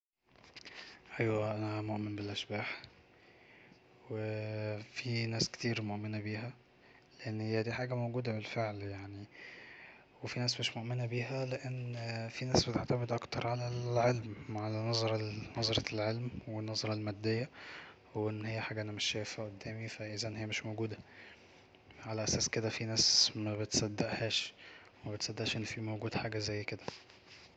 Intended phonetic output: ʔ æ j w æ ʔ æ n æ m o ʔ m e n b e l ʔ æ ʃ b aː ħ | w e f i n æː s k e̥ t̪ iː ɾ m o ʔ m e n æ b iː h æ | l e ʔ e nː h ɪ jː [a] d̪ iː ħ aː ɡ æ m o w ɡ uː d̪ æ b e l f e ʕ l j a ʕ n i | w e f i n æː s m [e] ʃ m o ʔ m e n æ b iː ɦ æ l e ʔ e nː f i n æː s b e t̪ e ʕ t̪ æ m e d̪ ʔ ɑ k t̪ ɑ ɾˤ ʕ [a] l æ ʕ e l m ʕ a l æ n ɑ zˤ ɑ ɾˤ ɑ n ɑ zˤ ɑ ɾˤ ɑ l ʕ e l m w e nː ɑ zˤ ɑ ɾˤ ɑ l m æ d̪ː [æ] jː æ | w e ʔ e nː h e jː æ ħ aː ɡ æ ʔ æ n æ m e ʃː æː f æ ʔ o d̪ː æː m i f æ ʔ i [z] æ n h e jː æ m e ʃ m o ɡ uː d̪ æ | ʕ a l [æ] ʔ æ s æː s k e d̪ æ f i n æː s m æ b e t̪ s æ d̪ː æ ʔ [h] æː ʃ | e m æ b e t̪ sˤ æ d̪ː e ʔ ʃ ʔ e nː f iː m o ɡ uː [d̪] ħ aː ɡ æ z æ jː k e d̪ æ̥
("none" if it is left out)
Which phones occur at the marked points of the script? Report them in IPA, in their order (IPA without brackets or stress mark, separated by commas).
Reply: æ, e, a, e, z, æ, h, d̪